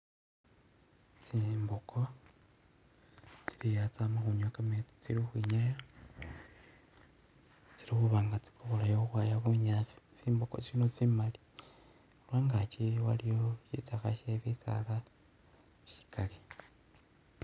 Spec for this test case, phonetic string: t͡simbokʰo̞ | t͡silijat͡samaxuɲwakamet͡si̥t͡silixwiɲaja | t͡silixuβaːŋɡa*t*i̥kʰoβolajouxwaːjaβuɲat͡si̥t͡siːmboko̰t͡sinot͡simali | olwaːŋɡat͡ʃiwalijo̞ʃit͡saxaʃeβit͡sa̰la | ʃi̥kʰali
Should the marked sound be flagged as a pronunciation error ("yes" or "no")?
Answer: yes